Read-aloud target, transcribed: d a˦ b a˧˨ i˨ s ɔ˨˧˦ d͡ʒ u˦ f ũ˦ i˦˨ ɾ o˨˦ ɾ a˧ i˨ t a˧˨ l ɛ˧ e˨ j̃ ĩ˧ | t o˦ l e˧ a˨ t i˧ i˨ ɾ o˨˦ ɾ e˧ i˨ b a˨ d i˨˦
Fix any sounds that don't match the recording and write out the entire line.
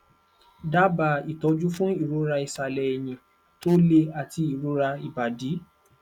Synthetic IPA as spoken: d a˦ b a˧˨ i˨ t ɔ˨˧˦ d͡ʒ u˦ f ũ˦ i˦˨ ɾ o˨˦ ɾ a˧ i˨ s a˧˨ l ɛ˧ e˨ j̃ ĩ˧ | t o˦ l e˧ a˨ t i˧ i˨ ɾ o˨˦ ɾ a˧ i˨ b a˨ d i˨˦

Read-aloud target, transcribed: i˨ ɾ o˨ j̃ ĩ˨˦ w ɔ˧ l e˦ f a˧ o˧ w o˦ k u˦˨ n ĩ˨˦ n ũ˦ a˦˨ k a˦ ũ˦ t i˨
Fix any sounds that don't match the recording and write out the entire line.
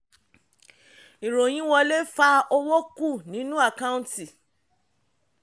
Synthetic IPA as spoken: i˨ ɾ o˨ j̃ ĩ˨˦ w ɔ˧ l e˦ f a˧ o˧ w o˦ k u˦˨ n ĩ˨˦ n ũ˦ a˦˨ k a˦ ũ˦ t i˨

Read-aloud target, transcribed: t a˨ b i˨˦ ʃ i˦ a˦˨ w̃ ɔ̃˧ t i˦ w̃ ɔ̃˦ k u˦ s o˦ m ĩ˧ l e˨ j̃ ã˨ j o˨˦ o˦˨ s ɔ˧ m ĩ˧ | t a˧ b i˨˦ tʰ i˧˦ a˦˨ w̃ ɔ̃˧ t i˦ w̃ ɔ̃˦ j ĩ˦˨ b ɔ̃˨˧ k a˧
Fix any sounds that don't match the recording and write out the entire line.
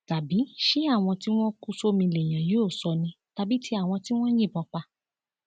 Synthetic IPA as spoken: t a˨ b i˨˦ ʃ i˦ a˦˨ w̃ ɔ̃˧ t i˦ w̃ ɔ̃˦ k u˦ s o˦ m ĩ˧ l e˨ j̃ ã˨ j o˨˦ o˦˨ s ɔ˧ n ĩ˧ | t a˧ b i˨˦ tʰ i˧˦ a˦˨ w̃ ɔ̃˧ t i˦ w̃ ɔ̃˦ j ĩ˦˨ b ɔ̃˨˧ k͡p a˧

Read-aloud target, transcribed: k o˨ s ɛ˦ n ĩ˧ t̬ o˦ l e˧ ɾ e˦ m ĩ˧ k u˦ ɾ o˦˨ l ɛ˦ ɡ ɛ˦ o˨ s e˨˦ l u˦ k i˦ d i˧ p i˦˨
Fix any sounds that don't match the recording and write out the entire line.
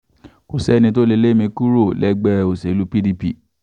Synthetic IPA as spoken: k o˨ s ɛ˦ n ĩ˧ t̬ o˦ l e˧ l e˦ m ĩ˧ k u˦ ɾ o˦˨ l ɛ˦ ɡ͡b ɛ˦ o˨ s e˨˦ l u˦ p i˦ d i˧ p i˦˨

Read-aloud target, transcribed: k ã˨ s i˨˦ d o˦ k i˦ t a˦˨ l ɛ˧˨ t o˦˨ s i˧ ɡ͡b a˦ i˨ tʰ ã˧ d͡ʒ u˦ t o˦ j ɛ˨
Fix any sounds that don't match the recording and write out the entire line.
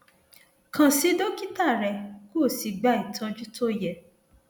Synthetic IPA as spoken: k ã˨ s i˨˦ d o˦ k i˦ t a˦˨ ɾ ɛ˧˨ k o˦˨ s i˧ ɡ͡b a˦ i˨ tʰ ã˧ d͡ʒ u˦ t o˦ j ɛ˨

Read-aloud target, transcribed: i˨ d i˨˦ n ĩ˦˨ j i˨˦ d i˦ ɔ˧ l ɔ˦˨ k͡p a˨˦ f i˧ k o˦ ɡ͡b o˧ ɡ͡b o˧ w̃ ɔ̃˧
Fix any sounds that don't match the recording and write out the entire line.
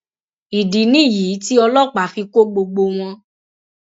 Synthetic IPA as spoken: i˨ d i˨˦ n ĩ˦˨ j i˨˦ t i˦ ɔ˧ l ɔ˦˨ k͡p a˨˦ f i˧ k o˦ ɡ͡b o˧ ɡ͡b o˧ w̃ ɔ̃˧

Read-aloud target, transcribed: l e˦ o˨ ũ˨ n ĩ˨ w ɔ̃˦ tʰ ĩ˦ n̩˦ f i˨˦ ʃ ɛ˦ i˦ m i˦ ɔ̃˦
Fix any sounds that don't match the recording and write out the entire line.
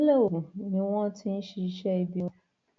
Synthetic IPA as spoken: l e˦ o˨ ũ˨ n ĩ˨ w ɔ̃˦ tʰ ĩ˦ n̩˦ ʃ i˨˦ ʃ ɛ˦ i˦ b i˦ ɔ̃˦

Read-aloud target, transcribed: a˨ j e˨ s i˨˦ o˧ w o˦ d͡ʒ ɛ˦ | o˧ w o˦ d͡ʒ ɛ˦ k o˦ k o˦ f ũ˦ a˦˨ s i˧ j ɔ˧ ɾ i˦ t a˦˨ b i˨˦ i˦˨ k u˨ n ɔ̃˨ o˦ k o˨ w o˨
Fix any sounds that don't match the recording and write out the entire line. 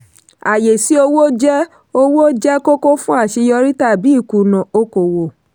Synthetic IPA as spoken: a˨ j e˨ s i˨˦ o˧ w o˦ d͡ʒ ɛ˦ | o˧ w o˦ d͡ʒ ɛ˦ k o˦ k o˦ f ũ˦ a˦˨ ʃ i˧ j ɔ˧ ɾ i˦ t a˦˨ b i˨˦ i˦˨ k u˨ n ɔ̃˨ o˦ k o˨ w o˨

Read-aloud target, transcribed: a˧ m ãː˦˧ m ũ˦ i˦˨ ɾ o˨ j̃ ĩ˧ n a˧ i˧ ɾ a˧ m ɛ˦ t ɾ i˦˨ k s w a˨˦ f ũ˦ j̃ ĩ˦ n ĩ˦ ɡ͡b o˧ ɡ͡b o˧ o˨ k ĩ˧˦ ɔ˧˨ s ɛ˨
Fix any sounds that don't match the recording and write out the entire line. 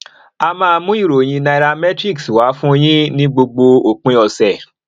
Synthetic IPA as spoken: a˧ m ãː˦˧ m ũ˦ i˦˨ ɾ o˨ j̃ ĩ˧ n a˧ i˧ ɾ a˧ m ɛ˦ t ɾ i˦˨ k s w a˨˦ f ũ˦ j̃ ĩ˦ n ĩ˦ ɡ͡b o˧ ɡ͡b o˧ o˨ k͡p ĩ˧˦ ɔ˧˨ s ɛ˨

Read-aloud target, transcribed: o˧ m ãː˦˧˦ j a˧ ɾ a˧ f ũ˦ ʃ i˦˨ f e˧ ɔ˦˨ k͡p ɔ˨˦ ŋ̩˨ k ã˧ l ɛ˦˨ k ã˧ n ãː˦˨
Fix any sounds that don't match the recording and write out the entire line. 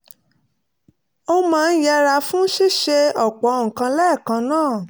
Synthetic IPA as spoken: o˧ m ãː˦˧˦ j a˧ ɾ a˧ f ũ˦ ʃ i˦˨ ʃ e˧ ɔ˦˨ k͡p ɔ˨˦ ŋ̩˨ k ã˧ l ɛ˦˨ k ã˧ n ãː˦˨

